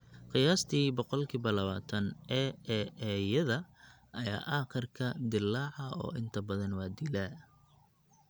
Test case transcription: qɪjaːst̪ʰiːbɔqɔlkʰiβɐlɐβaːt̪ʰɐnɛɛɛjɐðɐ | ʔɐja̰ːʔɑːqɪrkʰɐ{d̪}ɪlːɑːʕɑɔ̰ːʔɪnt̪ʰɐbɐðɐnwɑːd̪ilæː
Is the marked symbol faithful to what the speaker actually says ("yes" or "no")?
yes